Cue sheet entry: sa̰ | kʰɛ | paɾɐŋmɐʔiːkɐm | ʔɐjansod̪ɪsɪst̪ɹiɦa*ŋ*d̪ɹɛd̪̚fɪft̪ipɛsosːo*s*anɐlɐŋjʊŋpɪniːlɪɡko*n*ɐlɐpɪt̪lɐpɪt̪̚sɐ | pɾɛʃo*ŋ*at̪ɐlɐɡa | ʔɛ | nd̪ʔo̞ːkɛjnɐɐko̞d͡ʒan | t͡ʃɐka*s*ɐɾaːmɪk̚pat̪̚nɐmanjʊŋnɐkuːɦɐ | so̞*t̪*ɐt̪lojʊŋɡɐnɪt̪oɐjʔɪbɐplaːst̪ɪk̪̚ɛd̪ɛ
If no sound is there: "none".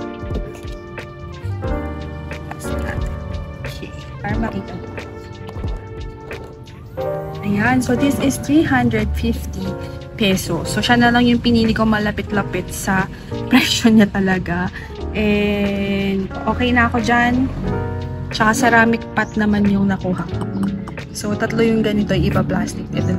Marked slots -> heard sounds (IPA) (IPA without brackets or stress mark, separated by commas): n, ʃ, m, ɲ, s, t̪